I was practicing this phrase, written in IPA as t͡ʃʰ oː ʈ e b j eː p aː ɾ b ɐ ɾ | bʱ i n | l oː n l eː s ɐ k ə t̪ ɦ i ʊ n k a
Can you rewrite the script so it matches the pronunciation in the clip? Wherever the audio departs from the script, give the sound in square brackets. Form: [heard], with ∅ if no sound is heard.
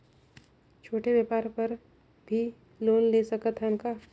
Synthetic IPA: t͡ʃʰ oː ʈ e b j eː p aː ɾ [p] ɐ ɾ | bʱ i [∅] | l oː n l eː s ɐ k ə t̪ ɦ [ɛ] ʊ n k a